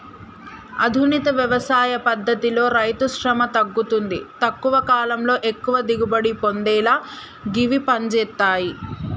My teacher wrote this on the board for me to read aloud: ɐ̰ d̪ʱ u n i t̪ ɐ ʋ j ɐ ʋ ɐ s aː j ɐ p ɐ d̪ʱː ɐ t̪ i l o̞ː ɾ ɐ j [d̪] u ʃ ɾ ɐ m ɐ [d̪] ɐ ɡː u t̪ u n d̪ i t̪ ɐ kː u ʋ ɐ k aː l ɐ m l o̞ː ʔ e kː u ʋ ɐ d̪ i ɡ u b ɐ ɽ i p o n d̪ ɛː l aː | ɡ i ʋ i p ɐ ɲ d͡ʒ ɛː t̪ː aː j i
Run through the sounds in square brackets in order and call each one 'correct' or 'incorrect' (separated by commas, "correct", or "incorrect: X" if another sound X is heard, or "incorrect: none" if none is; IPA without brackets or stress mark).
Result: incorrect: t̪, incorrect: t̪